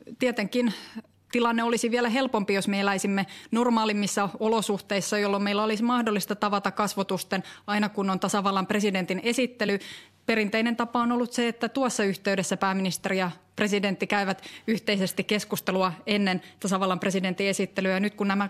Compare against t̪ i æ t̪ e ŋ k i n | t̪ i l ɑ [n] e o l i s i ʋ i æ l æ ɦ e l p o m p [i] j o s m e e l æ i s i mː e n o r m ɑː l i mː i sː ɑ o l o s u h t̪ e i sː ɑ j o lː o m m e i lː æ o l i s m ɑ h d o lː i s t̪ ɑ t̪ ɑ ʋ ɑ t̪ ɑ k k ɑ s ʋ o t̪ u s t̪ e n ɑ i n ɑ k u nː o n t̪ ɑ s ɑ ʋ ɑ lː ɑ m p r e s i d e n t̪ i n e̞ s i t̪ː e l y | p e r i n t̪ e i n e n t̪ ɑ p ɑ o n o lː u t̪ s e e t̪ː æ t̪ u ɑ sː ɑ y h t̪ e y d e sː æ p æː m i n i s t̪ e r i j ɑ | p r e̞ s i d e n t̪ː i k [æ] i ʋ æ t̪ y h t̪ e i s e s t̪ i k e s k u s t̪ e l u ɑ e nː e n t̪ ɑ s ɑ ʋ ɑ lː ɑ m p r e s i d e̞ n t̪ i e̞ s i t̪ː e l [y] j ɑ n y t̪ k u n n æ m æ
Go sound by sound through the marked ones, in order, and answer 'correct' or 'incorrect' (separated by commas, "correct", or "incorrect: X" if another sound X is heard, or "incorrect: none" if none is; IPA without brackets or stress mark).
incorrect: nː, correct, correct, correct